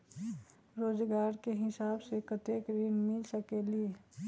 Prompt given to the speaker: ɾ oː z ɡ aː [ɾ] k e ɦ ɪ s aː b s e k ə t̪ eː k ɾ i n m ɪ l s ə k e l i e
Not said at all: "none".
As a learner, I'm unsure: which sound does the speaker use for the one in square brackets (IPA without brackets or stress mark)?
ɾ